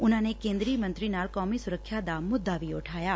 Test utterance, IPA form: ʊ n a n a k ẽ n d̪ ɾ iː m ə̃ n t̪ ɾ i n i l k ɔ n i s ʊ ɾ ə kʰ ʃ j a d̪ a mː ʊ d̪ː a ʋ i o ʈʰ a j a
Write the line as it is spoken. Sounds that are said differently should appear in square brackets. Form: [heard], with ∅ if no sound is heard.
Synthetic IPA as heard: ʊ n a n [e] k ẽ n d̪ ɾ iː m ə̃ n t̪ ɾ i n [a] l k ɔ [m] i s ʊ ɾ ə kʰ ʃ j a d̪ a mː ʊ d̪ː a ʋ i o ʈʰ a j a